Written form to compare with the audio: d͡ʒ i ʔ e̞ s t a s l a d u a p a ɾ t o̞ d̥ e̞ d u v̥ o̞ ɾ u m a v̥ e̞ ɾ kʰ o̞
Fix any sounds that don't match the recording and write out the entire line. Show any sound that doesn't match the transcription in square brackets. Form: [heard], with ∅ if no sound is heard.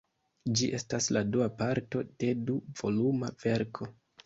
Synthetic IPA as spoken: d͡ʒ i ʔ e̞ s t a s l a d u a p a ɾ t o̞ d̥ e̞ d u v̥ o̞ [l] u m a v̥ e̞ ɾ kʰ o̞

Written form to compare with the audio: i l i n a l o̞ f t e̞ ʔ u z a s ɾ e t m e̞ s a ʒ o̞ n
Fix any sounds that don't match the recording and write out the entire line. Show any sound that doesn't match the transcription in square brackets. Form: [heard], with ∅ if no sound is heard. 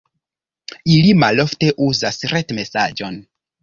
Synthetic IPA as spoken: i l i [m] a l o̞ f t e̞ ʔ u z a s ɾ e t m e̞ s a [d͡ʒ] o̞ n

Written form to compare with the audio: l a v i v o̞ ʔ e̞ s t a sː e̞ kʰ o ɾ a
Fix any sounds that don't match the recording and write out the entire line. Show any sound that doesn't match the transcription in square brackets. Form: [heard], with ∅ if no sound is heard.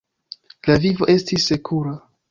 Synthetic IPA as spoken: l a v i v o̞ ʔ e̞ s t [i] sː e̞ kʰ [u] ɾ a

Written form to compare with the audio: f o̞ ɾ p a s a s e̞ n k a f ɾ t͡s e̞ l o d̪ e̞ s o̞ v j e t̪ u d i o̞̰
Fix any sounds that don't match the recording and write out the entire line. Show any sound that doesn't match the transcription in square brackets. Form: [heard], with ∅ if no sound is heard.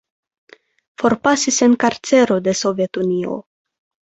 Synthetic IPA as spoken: f o̞ ɾ p a s [i] s e̞ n k a [∅] ɾ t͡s e̞ [ɾ] o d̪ e̞ s o̞ v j e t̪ u [n] i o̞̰

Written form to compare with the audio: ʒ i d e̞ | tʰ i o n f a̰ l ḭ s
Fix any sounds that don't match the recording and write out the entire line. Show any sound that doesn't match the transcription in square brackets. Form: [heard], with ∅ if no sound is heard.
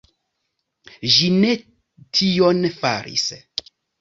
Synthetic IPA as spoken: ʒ i [n] e̞ | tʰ i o n f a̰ [ɾ] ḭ s

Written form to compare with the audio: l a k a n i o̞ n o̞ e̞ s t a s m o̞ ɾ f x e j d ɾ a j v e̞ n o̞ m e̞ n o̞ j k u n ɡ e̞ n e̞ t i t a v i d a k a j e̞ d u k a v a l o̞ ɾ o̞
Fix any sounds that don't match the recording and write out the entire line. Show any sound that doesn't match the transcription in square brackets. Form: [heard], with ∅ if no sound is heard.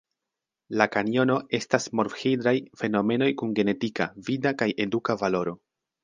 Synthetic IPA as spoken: l a k a n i o̞ n o̞ e̞ s t a s m o̞ ɾ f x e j d ɾ a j [f] e̞ n o̞ m e̞ n o̞ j k u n ɡ e̞ n e̞ t i [k] a v i d a k a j e̞ d u k a v a l o̞ ɾ o̞

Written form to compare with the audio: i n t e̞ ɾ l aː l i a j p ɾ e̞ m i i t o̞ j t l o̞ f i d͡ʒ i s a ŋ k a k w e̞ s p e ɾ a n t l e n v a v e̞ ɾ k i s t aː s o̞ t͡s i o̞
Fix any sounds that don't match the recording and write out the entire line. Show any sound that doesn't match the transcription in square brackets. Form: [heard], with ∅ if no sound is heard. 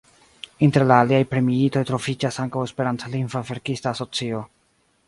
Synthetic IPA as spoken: i n t e̞ ɾ l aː l i a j p ɾ e̞ m i i t o̞ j t [ɾ] o̞ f i d͡ʒ [a] s a ŋ k a [∅] w e̞ s p e ɾ a n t l [i] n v a v e̞ ɾ k i s t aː s o̞ t͡s i o̞

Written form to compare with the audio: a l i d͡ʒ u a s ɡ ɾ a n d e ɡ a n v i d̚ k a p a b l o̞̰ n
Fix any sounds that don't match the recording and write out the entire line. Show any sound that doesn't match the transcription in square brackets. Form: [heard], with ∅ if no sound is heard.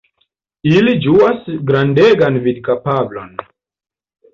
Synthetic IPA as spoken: [i] l i d͡ʒ u a s ɡ ɾ a n d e ɡ a n v i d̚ k a p a b l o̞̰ n

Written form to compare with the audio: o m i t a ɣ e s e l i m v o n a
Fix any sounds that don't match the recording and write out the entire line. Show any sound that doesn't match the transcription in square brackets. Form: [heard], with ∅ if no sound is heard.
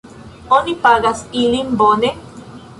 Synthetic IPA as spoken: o [n] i [p] a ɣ [a] s [i] l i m [b] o n [e]

